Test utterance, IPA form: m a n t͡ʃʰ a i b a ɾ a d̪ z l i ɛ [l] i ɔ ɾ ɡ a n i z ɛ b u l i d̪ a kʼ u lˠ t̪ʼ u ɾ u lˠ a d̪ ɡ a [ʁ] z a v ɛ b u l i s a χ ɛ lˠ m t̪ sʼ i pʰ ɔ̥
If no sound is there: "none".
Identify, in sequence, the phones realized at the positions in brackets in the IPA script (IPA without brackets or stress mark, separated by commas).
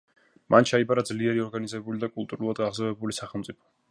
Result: ɾ, ʁ